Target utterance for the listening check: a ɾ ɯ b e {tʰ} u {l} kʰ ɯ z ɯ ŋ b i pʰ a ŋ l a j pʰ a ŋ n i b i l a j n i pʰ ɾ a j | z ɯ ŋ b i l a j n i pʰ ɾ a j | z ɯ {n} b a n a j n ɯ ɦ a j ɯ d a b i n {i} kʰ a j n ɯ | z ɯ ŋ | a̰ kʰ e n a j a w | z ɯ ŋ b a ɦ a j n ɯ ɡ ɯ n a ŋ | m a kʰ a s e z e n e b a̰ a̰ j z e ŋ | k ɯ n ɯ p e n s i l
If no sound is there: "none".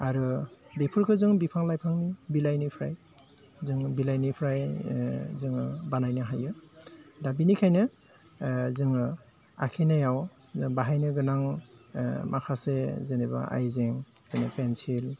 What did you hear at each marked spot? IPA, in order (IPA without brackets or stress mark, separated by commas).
pʰ, ɾ, ŋ, i